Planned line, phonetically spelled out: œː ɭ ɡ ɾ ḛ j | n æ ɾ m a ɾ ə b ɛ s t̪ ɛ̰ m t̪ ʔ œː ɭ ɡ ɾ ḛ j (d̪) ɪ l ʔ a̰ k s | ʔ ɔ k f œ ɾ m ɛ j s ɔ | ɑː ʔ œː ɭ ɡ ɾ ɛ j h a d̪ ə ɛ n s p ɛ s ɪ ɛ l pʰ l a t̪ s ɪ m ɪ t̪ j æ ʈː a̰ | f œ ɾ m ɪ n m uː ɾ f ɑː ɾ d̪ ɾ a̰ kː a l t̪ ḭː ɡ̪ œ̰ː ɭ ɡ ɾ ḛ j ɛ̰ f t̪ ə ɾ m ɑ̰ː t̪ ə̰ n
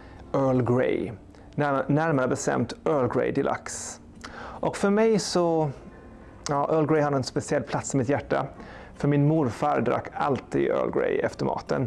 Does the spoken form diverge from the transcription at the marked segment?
no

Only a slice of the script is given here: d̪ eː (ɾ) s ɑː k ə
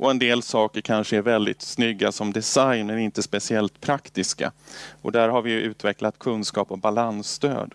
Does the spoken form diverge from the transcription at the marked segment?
yes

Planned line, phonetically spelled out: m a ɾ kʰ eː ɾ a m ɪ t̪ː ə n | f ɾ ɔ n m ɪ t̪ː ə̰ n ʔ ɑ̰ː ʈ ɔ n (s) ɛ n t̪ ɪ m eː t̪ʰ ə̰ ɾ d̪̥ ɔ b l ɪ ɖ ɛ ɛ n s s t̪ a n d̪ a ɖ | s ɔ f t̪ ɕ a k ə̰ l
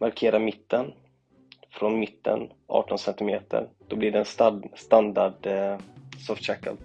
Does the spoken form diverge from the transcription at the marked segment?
no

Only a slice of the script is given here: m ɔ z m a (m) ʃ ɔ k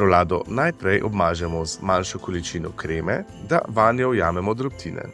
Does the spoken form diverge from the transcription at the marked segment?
yes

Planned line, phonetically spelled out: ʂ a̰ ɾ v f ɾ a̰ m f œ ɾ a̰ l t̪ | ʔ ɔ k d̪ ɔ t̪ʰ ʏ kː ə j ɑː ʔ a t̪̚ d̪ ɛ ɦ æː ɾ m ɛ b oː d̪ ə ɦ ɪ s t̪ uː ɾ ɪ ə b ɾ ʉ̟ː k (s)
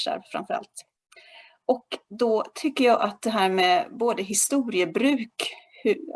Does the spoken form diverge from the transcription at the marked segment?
yes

